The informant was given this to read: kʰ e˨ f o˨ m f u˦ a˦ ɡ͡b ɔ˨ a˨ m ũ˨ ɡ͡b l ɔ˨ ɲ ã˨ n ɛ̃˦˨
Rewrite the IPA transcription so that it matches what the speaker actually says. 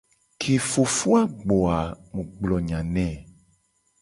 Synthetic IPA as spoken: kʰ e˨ f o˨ f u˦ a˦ ɡ͡b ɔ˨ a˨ m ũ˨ ɡ͡b l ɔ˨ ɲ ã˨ n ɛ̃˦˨